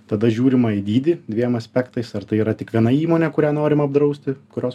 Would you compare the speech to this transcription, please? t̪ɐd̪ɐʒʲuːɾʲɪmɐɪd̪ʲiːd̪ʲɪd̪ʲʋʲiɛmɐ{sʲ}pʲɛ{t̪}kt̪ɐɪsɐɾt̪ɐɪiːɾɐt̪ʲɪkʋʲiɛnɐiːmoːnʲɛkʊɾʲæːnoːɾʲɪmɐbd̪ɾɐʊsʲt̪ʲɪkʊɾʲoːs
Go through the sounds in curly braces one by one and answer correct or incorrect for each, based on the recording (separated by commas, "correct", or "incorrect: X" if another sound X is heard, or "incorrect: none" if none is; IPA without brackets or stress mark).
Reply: correct, incorrect: none